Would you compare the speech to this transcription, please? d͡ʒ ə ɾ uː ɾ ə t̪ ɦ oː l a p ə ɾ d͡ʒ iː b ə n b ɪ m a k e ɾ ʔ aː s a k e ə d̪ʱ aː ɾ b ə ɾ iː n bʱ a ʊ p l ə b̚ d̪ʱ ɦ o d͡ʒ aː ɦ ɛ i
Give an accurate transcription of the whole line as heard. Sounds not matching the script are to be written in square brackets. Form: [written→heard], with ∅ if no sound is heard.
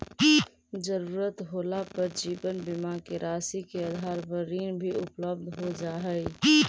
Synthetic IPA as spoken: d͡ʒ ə ɾ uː ɾ ə t̪ ɦ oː l a p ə ɾ d͡ʒ iː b ə n b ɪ m a k e ɾ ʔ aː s [a→i] k e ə d̪ʱ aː ɾ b ə ɾ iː n bʱ [a→i] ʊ p l ə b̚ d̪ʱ ɦ o d͡ʒ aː ɦ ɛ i